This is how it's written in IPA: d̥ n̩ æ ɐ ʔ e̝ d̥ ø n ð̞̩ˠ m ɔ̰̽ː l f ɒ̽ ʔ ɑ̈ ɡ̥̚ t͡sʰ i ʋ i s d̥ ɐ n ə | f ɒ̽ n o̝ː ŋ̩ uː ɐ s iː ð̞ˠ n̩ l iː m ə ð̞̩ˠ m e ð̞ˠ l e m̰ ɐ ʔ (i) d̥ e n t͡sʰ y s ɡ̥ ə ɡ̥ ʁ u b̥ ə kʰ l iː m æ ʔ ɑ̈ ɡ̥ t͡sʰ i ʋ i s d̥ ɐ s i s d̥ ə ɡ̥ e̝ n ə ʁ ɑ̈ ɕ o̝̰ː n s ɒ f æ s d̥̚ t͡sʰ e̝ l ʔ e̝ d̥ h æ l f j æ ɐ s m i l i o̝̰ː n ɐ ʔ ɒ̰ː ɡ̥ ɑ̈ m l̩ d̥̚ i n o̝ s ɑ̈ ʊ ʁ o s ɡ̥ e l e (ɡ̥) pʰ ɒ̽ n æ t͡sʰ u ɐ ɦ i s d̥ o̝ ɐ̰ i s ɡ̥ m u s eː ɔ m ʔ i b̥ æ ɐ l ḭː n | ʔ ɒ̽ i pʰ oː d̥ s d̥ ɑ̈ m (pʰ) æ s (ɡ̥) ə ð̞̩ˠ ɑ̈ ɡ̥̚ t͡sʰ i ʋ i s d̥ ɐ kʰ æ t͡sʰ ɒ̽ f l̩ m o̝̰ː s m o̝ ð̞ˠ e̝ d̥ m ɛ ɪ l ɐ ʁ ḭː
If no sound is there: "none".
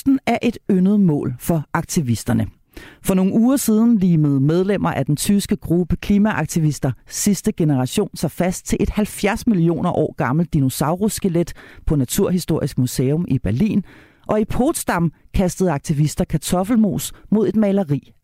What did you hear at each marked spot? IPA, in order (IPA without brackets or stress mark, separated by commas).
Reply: æ, d̥, kʰ, d̥